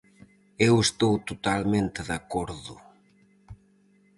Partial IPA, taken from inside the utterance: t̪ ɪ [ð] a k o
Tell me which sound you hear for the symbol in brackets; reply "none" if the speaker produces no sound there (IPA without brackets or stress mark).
ð